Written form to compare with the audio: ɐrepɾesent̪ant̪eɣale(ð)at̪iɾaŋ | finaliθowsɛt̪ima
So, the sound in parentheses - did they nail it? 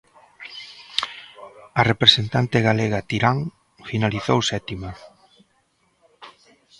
no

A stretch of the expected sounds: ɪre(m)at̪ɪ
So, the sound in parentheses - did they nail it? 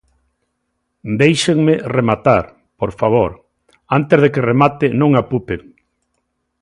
yes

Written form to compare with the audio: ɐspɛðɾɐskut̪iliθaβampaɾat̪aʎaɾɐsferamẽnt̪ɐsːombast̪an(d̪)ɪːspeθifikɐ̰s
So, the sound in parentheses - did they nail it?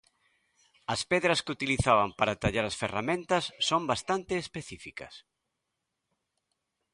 no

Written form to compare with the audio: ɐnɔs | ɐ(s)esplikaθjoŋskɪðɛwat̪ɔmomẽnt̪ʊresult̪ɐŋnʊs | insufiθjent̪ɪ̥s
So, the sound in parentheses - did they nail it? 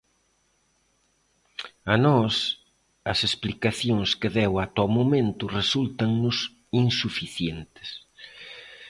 yes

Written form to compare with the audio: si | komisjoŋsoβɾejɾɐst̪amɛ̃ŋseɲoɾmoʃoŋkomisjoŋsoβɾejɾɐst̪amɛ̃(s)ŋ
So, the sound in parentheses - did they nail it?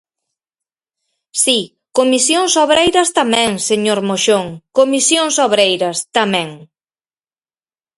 no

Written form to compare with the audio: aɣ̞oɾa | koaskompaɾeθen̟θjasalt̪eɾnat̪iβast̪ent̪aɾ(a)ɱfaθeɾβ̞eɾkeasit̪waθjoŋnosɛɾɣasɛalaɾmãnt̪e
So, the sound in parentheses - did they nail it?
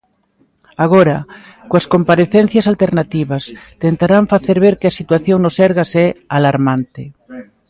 yes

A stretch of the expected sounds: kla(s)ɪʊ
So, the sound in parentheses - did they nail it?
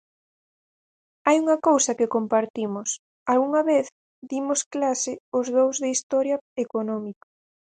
yes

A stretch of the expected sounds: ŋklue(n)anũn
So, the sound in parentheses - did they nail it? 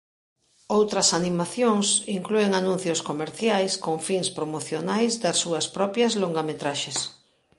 no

